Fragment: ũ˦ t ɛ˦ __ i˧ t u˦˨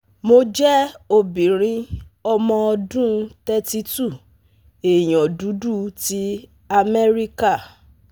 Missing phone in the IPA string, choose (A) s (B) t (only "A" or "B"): B